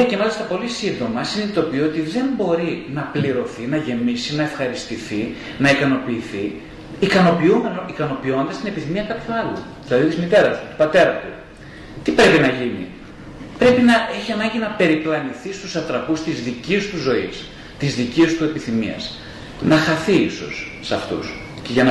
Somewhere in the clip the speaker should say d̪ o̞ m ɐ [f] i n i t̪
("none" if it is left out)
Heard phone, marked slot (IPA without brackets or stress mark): s